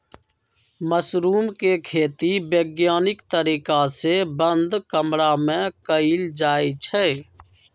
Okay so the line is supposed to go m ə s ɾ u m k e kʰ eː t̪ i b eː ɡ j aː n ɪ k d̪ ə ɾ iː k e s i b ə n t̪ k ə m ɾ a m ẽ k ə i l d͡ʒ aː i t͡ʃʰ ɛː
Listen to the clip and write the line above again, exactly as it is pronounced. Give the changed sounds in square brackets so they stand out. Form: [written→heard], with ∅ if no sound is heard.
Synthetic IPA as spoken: m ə s ɾ [u→uː] m k e kʰ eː t̪ i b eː ɡ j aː n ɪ k [d̪→t̪] ə ɾ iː k [e→a] s [i→e] b ə n [t̪→d̪] k ə m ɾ a m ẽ k ə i l d͡ʒ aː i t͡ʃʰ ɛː